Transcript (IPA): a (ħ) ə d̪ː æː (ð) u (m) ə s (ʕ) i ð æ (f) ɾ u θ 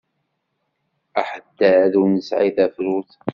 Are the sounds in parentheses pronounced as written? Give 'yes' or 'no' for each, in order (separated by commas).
yes, yes, no, yes, yes